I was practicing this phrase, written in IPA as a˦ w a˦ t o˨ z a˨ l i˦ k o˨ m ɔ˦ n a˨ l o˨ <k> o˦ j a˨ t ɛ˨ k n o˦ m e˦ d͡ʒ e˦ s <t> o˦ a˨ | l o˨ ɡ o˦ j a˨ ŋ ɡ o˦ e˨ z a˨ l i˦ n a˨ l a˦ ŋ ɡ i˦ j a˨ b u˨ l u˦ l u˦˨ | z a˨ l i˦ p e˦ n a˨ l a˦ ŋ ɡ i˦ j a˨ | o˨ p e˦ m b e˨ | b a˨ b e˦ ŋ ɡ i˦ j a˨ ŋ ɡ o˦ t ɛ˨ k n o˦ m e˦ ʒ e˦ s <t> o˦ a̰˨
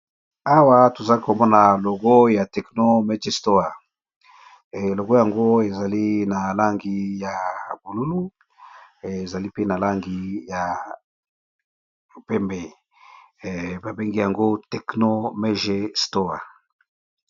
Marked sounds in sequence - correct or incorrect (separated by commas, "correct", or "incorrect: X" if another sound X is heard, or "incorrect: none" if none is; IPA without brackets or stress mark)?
incorrect: ɡ, correct, correct